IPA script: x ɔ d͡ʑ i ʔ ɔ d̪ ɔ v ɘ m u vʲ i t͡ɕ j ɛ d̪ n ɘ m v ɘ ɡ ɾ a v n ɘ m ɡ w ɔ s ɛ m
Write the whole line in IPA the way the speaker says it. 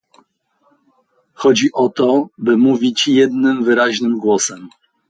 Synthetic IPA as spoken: x ɔ d͡ʑ i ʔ ɔ t̪ ɔ b ɘ m u vʲ i t͡ɕ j ɛ d̪ n ɘ m v ɘ ɾ a ʑ n ɘ m ɡ w ɔ s ɛ m